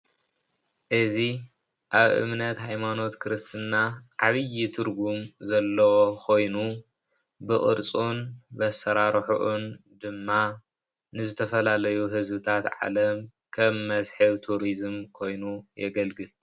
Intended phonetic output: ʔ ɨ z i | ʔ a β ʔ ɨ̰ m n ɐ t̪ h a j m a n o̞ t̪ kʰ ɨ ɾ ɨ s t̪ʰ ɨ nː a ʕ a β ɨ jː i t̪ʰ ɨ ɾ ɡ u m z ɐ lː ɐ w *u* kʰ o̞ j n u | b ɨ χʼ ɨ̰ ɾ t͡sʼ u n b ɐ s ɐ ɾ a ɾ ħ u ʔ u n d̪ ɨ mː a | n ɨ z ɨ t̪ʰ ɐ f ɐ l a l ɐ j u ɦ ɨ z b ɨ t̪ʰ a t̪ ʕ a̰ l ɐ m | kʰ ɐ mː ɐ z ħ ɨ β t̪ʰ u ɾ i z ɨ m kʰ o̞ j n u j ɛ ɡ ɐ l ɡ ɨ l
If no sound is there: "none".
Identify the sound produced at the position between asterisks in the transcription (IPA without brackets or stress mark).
o